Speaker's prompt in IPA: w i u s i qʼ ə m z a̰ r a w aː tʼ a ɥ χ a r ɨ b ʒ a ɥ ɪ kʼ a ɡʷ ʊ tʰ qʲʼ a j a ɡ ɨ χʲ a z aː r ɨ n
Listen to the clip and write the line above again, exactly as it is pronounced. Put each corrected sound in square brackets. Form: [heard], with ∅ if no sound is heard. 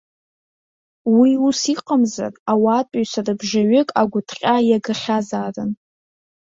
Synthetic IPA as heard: w i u s i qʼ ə m z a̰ r a w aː tʼ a ɥ [s] a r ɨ b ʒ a ɥ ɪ kʼ a ɡʷ ʊ tʰ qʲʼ a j a ɡ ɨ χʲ a z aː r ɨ n